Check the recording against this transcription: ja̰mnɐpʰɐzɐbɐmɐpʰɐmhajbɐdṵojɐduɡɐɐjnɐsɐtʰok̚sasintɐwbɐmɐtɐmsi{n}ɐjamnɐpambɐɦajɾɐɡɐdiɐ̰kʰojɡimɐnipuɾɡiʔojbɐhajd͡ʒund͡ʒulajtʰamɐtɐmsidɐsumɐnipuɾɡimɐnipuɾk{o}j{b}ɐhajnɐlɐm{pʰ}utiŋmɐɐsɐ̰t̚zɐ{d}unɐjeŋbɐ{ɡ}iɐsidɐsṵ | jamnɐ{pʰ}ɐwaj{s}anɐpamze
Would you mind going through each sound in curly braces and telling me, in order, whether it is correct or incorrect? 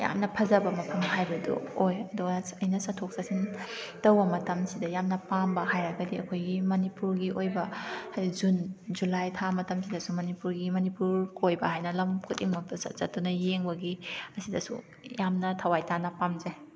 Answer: incorrect, correct, correct, incorrect, incorrect, correct, incorrect, incorrect

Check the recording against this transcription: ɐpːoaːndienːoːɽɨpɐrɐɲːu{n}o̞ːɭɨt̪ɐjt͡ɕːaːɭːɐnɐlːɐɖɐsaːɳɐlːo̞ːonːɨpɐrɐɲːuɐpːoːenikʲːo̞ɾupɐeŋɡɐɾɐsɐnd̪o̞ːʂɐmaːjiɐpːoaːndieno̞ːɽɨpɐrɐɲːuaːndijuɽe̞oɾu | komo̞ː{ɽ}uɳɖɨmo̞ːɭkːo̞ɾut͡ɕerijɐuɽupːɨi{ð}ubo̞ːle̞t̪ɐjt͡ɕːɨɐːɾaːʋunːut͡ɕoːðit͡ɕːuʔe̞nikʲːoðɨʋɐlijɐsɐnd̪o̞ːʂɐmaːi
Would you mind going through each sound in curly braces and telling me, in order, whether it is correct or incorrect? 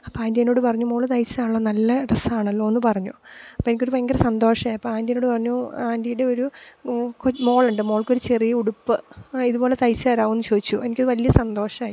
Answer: incorrect, incorrect, correct

